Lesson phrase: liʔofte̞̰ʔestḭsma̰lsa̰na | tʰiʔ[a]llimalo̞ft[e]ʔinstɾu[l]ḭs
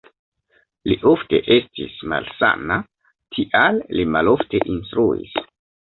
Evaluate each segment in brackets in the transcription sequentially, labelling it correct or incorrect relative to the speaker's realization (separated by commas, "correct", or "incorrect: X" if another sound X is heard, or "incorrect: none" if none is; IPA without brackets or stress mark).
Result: correct, correct, incorrect: none